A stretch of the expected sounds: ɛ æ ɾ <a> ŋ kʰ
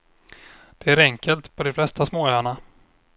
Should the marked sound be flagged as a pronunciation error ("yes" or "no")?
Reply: yes